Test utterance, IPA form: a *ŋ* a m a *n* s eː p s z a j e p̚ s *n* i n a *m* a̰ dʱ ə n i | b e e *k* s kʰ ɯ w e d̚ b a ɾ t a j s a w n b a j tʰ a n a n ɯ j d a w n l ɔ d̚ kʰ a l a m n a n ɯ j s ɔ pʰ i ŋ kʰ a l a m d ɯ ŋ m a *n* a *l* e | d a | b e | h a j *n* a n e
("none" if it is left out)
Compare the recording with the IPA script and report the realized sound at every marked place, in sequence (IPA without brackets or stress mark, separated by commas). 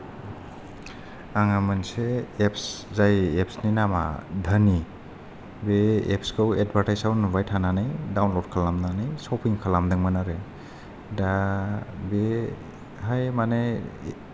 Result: ŋ, n, n, m, p, n, ɾ, m